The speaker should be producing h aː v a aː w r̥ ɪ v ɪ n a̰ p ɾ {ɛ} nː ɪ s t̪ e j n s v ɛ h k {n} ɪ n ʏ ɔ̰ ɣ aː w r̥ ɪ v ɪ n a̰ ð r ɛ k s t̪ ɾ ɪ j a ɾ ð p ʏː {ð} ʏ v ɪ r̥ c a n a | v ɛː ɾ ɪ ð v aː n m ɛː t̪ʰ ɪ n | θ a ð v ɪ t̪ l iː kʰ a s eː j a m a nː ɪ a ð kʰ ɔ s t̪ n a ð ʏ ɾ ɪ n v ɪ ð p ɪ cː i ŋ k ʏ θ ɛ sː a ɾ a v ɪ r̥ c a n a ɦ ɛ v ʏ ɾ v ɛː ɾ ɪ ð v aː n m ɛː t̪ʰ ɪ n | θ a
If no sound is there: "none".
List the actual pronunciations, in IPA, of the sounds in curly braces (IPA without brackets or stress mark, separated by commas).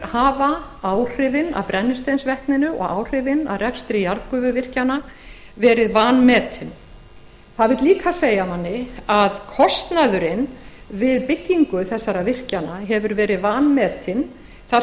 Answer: ɛ, n, v